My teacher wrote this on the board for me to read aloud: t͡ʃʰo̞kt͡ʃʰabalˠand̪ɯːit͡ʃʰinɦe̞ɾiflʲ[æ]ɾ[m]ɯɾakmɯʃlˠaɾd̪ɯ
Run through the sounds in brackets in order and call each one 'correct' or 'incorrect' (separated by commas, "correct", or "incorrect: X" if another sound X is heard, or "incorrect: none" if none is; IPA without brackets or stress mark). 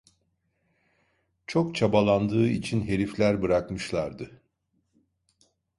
correct, incorrect: b